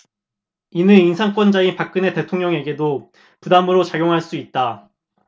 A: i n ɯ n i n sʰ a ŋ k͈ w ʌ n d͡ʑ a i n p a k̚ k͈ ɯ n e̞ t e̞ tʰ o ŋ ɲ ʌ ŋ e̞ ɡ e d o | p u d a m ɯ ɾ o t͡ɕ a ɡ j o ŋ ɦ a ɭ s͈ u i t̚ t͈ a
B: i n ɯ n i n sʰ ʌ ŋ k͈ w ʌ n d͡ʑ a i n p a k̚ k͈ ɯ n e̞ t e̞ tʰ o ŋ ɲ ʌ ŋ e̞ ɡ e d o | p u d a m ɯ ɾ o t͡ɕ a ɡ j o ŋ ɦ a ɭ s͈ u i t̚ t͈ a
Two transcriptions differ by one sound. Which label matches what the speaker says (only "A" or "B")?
A